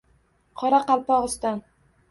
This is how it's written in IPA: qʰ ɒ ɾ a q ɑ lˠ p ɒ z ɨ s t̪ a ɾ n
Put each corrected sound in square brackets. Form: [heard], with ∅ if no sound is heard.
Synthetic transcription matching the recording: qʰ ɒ ɾ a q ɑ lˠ p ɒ [ʁ] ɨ s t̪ a [∅] n

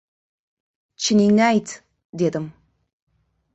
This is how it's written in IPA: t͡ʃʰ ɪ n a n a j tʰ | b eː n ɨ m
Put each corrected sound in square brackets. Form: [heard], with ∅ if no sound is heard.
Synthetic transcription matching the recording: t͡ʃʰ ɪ n [i] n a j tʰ | [d] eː [d] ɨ m

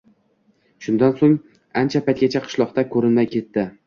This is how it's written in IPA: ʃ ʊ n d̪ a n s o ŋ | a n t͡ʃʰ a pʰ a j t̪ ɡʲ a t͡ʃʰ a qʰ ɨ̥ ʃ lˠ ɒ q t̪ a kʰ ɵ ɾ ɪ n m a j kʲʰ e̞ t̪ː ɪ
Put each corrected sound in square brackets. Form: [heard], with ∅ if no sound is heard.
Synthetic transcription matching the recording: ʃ ʊ n d̪ a n s o ŋ | a n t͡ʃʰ a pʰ a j t̪ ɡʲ a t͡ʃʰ a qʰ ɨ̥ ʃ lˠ ɒ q t̪ a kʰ ɵ ɾ ɪ n m a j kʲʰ e̞ t̪ː ɪ

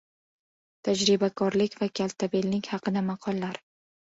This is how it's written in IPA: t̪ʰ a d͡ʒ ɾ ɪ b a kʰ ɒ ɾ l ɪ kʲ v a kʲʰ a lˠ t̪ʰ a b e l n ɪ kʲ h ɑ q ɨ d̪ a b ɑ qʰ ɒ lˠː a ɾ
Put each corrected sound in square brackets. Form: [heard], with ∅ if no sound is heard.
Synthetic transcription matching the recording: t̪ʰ a d͡ʒ ɾ ɪ b a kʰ ɒ ɾ l ɪ kʲ v a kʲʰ a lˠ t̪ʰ a b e l n ɪ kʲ h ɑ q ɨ d̪ a [m] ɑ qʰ ɒ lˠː a ɾ

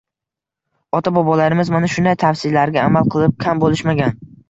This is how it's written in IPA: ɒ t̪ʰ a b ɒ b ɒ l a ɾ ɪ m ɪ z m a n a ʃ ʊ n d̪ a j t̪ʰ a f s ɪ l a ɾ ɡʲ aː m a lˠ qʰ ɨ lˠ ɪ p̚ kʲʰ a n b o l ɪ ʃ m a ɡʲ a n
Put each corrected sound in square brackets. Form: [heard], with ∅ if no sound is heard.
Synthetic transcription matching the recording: ɒ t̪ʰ a b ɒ b ɒ l a ɾ ɪ m ɪ z m a n a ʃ ʊ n d̪ a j t̪ʰ a f s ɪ l a ɾ ɡʲ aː m a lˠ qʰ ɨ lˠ ɪ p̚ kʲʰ a [m] b o l ɪ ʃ m a ɡʲ a n

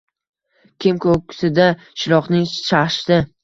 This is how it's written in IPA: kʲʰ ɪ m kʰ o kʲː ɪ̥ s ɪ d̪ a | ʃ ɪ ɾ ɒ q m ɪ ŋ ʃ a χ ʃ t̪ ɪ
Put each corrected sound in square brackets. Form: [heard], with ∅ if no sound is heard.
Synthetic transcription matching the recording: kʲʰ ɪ m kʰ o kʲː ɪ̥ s ɪ d̪ a | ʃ ɪ ɾ ɒ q [n] ɪ ŋ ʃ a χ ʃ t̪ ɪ

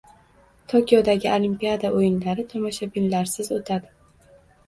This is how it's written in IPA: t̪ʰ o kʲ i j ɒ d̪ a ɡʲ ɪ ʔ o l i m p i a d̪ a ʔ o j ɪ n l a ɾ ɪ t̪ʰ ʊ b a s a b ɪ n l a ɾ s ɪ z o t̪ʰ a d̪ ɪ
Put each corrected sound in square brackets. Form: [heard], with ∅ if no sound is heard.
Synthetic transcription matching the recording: t̪ʰ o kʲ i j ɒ d̪ a ɡʲ ɪ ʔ o l i m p i a d̪ a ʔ o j ɪ n l a ɾ ɪ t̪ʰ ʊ [m] a [ʃ] a b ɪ n l a ɾ s ɪ z o t̪ʰ a d̪ ɪ

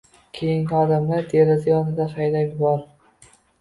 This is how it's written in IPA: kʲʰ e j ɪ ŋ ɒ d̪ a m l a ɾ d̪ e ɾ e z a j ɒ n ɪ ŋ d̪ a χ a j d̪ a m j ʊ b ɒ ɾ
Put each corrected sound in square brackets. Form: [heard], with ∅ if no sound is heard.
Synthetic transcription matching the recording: kʲʰ e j ɪ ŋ ɒ d̪ a m l a ɾ d̪ e ɾ [a] z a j ɒ n ɪ [∅] d̪ a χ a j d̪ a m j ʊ b ɒ ɾ

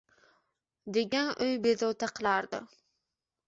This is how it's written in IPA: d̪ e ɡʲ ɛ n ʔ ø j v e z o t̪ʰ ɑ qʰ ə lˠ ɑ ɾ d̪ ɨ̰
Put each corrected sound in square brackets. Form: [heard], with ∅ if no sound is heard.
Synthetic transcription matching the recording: d̪ e ɡʲ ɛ n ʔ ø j [b] e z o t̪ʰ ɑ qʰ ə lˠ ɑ ɾ d̪ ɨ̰

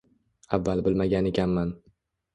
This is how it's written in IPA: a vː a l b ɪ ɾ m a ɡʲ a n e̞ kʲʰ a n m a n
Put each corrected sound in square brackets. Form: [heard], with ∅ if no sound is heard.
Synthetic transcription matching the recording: a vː a l b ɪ [l] m a ɡʲ a n e̞ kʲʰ a n m a n

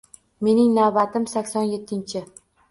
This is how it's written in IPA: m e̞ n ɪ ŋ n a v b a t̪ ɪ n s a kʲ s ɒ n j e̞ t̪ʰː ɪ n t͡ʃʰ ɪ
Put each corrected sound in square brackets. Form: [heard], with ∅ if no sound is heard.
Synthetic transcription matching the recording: m e̞ n ɪ ŋ n a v b a t̪ ɪ [m] s a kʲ s ɒ n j e̞ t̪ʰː ɪ n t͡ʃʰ ɪ

